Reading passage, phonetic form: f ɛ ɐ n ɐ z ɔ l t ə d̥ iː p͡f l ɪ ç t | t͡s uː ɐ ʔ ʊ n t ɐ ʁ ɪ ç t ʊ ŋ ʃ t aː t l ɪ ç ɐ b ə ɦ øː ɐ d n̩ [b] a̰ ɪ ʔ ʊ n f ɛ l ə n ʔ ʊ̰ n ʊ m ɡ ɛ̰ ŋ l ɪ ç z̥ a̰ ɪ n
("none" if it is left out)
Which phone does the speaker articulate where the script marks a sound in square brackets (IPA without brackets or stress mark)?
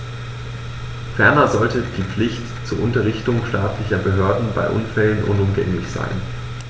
b